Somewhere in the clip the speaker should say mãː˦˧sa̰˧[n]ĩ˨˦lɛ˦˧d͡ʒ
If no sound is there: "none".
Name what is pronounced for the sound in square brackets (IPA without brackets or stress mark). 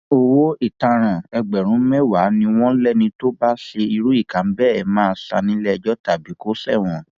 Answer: n